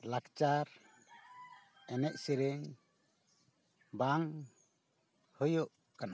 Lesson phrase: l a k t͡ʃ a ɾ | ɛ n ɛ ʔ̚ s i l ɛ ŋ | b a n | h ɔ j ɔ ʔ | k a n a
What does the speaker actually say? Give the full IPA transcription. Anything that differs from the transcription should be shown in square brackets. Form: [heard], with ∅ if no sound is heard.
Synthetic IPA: l a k t͡ʃ a ɾ | ɛ n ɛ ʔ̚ s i [ɾ] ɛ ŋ | b a [ŋ] | h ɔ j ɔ ʔ | k a n a